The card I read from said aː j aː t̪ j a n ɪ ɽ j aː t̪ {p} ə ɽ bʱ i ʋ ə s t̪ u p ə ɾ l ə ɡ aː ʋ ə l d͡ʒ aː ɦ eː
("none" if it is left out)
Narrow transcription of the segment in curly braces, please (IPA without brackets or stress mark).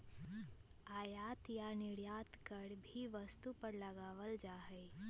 k